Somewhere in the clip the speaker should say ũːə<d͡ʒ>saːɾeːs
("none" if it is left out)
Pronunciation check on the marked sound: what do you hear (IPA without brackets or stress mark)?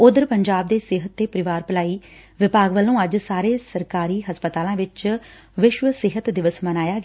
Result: d͡ʒ